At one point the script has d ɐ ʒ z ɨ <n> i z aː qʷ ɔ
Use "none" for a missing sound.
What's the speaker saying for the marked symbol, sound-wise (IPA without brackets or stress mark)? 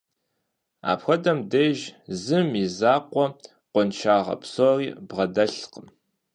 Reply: m